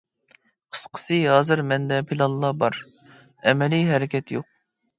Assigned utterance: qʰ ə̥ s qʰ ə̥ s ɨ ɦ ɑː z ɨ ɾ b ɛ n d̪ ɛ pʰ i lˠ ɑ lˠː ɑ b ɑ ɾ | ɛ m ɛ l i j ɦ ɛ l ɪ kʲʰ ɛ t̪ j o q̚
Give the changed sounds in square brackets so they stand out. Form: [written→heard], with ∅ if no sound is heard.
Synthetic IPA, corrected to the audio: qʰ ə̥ s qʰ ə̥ s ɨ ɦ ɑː z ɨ ɾ [b→m] ɛ n d̪ ɛ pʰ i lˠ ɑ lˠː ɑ b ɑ ɾ | ɛ m ɛ l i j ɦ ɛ [l→ɾ] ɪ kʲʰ ɛ t̪ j o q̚